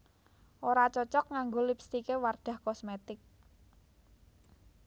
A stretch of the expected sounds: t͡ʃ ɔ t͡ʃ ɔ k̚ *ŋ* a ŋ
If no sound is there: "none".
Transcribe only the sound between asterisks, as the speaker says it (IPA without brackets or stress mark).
ŋ